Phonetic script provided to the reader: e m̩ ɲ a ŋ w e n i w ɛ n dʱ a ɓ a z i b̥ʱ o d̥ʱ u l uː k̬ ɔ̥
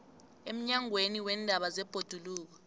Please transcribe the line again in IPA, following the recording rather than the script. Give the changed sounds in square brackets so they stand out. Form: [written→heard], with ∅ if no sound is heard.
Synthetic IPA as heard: e m̩ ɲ a ŋ w e n i w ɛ n dʱ a ɓ a z [i→ɛ] b̥ʱ o d̥ʱ u l uː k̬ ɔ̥